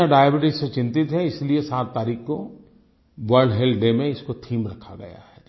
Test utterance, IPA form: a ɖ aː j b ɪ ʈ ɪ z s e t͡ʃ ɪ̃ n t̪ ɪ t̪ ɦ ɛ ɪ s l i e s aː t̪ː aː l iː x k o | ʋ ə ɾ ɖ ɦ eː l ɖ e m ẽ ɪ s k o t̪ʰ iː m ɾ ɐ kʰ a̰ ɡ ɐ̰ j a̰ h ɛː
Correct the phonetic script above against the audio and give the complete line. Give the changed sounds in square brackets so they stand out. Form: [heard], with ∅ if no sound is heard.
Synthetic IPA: a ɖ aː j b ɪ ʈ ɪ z s e t͡ʃ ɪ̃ n t̪ ɪ t̪ ɦ ɛ ɪ s l i e s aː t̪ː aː [ɾ] iː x k o | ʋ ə ɾ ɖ ɦ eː l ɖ e m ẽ ɪ s k o t̪ʰ iː m ɾ ɐ kʰ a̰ ɡ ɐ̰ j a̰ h ɛː